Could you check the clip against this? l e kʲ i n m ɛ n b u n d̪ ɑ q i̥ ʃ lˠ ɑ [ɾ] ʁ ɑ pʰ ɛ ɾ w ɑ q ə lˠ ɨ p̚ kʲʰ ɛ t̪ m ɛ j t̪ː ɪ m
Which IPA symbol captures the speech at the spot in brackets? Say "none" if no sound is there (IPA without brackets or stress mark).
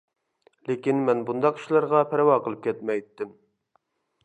ɾ